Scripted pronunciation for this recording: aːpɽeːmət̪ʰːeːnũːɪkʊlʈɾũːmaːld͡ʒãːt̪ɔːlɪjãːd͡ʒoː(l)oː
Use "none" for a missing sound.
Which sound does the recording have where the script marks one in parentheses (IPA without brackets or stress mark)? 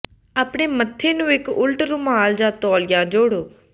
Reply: ɽ